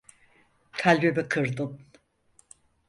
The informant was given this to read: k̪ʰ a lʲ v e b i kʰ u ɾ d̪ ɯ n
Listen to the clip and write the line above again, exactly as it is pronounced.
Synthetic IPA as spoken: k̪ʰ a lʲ b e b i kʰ ɯ ɾ d̪ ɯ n